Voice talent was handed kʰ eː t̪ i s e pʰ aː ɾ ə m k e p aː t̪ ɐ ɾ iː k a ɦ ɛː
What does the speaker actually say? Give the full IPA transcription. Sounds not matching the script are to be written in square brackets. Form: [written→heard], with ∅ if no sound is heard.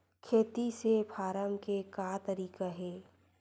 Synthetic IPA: kʰ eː t̪ i s e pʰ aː ɾ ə m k e [p→k] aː t̪ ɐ ɾ iː k a ɦ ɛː